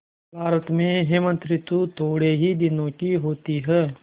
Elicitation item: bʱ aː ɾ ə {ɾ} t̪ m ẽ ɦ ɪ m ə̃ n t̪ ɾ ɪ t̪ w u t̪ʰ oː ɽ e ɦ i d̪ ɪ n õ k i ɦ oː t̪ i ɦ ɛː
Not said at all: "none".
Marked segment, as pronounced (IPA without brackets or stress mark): none